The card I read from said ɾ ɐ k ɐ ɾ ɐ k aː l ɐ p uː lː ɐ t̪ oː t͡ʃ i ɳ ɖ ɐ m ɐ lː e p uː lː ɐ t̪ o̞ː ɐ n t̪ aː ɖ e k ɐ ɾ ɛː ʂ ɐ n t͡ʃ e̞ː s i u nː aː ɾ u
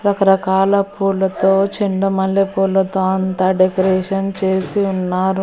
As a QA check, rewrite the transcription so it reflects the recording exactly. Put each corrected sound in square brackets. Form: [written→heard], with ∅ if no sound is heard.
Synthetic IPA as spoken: ɾ ɐ k ɐ ɾ ɐ k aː l ɐ p uː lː ɐ t̪ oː t͡ʃ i ɳ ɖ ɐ m ɐ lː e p uː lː ɐ t̪ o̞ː ɐ n t̪ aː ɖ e k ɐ ɾ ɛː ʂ ɐ n t͡ʃ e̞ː s i u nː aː ɾ u

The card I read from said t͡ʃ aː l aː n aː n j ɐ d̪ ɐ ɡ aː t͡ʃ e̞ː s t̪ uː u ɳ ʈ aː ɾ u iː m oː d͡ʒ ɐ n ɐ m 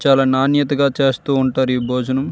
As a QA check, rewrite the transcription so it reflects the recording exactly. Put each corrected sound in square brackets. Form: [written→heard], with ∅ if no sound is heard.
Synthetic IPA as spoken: t͡ʃ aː l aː n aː n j ɐ [d̪→t̪] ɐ ɡ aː t͡ʃ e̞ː s t̪ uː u ɳ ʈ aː ɾ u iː [m→b] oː d͡ʒ ɐ n ɐ m

